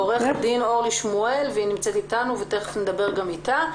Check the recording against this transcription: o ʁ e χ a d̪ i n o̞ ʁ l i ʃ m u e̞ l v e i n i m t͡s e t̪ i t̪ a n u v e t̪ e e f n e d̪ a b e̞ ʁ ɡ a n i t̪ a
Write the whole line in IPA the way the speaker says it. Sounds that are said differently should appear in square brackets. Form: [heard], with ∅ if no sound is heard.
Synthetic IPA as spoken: o ʁ e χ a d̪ i n o̞ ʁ l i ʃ m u e̞ l v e i n i m t͡s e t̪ i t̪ a n u v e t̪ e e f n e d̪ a b e̞ ʁ ɡ a [m] i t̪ a